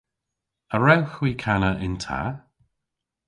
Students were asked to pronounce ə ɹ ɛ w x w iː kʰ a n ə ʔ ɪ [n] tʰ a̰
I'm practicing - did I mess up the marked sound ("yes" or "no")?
no